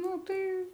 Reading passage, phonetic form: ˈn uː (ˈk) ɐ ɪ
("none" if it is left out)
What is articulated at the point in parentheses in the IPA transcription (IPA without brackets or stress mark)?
t